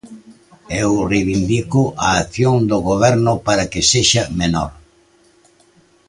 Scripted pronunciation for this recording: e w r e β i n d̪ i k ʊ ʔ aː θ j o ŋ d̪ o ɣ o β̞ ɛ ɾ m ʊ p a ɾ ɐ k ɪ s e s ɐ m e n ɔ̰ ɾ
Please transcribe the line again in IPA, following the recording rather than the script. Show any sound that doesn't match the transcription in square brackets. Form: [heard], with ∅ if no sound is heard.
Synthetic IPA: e w r e β i n d̪ i k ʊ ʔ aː θ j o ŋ d̪ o ɣ o β̞ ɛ ɾ [n] ʊ p a ɾ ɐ k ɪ s e [ʃ] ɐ m e n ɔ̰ ɾ